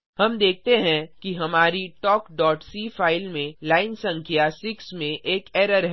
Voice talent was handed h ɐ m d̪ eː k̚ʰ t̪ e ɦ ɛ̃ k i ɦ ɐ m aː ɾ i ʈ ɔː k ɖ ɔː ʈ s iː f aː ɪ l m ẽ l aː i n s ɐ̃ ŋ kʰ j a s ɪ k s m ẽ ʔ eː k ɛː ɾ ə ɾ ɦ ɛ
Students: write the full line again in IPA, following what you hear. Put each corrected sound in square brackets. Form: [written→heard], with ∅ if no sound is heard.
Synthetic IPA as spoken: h ɐ m d̪ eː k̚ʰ t̪ e ɦ ɛ̃ k i ɦ ɐ m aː ɾ i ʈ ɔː k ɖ ɔː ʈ s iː f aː ɪ l m ẽ l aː [i→ɪ] n s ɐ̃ ŋ kʰ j a s ɪ k s m ẽ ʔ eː k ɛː ɾ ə ɾ ɦ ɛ